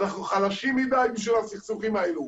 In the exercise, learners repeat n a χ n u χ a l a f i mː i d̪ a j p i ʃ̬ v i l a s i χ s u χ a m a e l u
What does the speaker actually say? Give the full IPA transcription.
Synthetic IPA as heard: n a χ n u χ a l a ʃ i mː i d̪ a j b i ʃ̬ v i l a s i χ s u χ i m a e l u